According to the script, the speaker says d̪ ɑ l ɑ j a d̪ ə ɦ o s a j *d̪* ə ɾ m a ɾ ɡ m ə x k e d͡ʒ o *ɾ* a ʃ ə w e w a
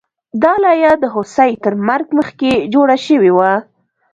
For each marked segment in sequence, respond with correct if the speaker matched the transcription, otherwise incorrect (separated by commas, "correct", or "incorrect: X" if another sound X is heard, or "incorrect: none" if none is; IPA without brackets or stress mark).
incorrect: t̪, incorrect: ɽ